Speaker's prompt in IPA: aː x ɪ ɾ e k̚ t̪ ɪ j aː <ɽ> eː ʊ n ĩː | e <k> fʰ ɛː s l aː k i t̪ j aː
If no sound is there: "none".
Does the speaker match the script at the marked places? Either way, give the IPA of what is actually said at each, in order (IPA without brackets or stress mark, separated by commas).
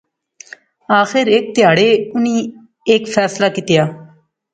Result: ɽ, k